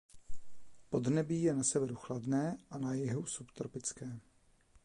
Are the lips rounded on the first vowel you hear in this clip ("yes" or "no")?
yes